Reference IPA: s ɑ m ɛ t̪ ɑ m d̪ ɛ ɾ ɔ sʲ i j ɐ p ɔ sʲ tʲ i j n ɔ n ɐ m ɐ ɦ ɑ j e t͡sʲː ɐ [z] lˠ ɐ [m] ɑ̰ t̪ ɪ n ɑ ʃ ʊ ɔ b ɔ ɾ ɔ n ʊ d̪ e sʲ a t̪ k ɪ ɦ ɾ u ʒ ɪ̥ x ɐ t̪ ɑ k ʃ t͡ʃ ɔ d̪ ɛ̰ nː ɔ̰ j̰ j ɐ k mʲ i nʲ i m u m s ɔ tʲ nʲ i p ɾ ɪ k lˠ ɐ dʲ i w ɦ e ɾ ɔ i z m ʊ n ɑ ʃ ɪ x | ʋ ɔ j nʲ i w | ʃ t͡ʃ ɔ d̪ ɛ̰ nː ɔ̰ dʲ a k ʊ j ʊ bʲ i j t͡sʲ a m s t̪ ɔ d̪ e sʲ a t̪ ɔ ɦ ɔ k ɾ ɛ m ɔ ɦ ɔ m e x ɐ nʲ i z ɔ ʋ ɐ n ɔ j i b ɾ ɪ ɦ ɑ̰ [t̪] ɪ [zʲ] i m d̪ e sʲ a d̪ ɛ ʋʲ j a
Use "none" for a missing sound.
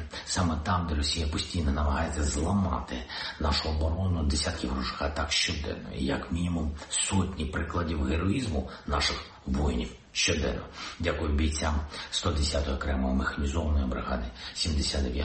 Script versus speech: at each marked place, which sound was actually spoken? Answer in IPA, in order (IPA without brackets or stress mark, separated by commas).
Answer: z, m, d̪, sʲ